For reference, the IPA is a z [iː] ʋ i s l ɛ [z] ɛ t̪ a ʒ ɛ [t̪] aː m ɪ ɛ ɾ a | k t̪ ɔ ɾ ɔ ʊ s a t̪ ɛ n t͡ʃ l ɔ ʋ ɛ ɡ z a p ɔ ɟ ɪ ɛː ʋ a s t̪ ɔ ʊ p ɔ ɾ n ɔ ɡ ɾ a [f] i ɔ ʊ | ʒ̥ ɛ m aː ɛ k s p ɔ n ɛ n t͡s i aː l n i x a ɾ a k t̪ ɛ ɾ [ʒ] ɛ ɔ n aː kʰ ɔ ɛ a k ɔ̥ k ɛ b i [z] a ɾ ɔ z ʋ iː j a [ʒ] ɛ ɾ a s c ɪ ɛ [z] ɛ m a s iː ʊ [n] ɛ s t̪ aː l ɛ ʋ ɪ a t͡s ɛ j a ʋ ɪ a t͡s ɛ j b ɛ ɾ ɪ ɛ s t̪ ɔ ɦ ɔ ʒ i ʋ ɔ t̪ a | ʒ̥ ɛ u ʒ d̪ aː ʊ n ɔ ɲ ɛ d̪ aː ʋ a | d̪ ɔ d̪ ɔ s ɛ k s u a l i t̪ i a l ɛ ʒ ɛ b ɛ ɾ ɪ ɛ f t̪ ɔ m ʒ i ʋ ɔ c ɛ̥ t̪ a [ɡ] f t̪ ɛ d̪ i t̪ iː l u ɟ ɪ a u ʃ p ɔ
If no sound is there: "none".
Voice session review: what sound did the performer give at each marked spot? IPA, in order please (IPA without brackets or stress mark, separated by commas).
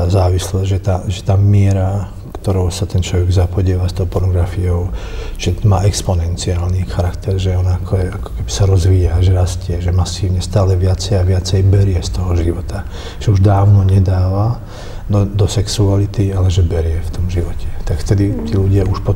aː, ʒ, t̪, f, ʒ, s, ʒ, ʒ, ɲ, k